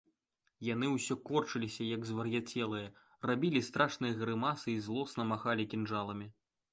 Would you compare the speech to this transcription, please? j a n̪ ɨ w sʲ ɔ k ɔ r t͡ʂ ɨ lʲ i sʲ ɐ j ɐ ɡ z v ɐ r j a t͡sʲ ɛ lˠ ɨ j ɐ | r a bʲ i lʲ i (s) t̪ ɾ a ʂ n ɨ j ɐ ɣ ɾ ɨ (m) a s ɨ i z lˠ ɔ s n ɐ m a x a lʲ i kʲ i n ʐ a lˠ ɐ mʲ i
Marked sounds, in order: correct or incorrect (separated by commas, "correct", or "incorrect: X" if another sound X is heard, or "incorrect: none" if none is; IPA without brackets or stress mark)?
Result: correct, correct